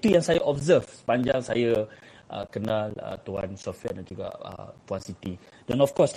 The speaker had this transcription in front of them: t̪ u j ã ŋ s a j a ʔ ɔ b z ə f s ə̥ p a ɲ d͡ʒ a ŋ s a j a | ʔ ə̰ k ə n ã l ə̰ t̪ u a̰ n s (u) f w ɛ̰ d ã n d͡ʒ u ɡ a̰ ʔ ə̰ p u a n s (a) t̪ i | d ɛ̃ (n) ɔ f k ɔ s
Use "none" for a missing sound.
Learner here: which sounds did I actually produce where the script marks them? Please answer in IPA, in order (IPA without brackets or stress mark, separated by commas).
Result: ɔ, i, n